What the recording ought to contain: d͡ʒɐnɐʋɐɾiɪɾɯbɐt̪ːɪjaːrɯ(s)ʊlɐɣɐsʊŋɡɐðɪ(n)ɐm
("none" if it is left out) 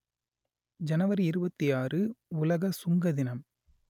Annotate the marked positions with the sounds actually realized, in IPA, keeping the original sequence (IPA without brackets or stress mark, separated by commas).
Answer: none, n